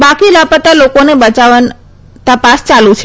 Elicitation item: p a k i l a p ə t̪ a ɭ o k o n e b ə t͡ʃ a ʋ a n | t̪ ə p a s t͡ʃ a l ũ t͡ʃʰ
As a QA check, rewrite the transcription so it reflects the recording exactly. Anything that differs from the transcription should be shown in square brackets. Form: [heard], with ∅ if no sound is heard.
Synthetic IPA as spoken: [b] a k i l a p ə t̪ a [l] o k o n e b ə t͡ʃ a ʋ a n | t̪ ə p a s t͡ʃ a l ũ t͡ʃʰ